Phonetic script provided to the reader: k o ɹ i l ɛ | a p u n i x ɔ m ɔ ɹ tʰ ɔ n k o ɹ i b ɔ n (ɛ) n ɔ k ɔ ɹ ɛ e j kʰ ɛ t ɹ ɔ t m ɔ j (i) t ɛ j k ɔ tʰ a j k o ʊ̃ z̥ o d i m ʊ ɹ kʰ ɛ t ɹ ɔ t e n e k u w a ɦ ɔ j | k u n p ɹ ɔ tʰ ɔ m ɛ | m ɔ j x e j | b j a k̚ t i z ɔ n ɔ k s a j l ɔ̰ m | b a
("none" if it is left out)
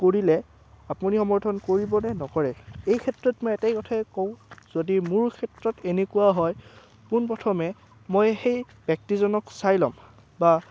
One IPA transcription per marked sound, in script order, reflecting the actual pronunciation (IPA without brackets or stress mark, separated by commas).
ɛ, ɛ